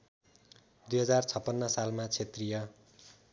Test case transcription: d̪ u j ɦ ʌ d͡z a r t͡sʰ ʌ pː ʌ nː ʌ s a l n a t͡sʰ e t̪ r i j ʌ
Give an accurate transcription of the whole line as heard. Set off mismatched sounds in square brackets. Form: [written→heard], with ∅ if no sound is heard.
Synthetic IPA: d̪ u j ɦ ʌ d͡z a r t͡sʰ ʌ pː ʌ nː ʌ s a l [n→m] a t͡sʰ e t̪ r i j ʌ